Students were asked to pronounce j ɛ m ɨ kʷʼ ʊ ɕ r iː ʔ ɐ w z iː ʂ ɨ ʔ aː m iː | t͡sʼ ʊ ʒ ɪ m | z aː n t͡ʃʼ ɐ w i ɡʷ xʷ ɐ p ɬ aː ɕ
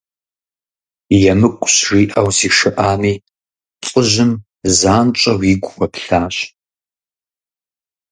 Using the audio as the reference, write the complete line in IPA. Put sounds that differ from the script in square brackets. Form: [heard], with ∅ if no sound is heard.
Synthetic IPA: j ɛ m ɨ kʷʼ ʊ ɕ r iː ʔ ɐ w z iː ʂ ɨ ʔ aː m iː | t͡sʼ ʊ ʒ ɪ m | z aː n t͡ʃʼ ɐ w i ɡʷ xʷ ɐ p ɬ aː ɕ